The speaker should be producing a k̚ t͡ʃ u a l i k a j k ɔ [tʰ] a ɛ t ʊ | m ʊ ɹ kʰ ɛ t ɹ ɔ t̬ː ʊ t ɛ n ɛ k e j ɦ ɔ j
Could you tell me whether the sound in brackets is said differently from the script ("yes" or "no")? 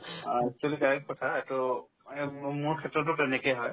no